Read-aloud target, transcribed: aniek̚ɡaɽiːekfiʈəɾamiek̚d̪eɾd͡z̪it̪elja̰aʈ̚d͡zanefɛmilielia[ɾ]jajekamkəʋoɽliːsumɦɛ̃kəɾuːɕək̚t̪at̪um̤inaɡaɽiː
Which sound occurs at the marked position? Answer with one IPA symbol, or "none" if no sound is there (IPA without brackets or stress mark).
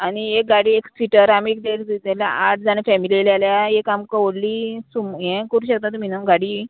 l